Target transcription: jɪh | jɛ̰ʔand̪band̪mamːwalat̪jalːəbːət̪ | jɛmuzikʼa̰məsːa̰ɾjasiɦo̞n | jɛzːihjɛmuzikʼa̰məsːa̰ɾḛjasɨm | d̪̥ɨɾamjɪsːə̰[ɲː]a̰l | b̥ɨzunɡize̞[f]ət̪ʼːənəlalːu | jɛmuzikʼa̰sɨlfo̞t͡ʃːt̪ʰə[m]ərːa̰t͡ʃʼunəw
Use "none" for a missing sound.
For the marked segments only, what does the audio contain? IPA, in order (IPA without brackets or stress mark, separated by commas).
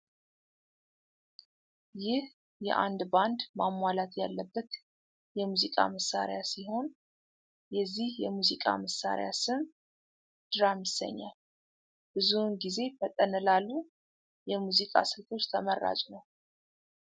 ɲː, f, m